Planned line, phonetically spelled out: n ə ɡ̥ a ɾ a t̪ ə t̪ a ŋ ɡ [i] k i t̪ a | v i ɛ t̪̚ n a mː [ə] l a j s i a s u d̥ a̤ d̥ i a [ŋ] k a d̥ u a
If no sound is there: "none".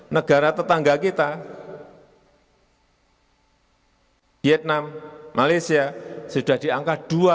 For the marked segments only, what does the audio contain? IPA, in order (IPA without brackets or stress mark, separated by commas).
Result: a, a, ŋ